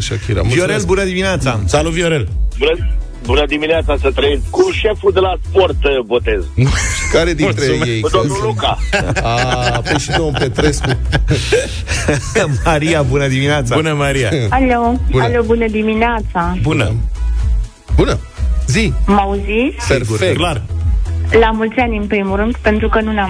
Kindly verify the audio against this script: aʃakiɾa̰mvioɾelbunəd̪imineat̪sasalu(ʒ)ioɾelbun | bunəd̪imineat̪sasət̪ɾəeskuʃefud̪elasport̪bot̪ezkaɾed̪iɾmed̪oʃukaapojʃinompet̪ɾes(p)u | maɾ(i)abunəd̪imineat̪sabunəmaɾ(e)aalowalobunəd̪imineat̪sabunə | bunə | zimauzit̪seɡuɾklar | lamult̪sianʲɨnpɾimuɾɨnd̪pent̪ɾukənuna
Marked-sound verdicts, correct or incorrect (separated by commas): incorrect, incorrect, correct, incorrect